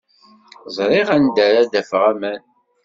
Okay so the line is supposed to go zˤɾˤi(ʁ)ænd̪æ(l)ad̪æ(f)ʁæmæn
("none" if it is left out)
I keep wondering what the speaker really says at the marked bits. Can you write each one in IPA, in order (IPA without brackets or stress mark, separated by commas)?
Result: ʁ, ɾ, f